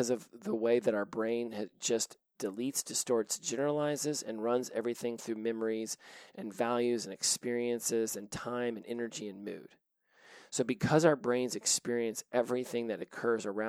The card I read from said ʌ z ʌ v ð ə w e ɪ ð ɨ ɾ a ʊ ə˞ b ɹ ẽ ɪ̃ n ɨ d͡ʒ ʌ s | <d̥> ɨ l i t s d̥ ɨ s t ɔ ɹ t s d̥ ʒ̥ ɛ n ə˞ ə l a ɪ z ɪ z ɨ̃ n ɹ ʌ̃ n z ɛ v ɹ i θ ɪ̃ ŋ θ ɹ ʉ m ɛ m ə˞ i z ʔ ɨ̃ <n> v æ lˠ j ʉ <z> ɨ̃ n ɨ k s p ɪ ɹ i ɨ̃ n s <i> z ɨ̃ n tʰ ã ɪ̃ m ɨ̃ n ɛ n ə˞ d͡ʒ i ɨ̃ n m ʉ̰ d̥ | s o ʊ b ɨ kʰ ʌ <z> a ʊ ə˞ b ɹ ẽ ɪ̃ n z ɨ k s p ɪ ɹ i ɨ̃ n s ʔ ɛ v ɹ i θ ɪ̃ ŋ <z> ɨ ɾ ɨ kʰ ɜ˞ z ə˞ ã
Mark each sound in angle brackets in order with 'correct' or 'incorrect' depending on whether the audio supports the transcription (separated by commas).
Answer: correct, correct, correct, incorrect, correct, incorrect